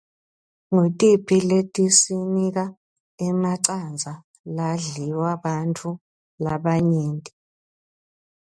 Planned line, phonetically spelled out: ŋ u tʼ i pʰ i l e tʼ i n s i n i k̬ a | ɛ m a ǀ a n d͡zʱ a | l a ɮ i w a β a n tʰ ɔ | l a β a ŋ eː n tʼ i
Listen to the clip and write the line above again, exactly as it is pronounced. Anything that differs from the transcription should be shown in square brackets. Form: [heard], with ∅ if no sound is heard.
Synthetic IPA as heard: ŋ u tʼ i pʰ i l e tʼ i [∅] s i n i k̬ a | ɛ m a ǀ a n d͡zʱ a | l a ɮ i w a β a n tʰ [u] | l a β a [ɲ] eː n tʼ i